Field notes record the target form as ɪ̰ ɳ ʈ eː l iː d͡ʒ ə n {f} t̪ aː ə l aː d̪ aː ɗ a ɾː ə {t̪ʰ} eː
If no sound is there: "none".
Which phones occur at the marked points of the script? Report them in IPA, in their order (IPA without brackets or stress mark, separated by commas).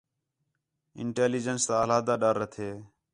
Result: s, t̪ʰ